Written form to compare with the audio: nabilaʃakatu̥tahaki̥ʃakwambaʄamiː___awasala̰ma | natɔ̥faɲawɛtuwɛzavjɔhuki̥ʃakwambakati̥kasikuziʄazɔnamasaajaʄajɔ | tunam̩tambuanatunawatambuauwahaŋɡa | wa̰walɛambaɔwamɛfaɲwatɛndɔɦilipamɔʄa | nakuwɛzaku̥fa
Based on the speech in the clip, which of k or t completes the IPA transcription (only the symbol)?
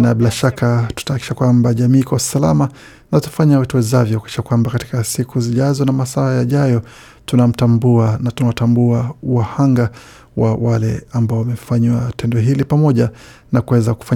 k